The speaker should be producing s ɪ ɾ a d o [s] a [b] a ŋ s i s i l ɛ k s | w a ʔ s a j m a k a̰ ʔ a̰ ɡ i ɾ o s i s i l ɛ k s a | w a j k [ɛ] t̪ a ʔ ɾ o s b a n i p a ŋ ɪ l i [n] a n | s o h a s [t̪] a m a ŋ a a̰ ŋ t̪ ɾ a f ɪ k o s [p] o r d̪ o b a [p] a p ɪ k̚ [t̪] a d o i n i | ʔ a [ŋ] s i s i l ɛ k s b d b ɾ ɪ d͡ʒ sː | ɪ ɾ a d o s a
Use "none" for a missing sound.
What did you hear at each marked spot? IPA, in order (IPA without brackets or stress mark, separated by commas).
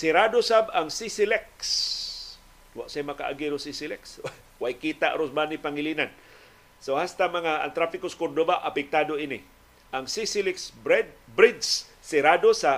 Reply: s, b, i, n, t̪, k, ʔ, t̪, ŋ